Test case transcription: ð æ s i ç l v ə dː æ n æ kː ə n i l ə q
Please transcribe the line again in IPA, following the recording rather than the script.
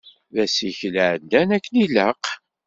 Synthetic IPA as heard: ð æ s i ç l ʕ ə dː æ n æ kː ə n i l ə q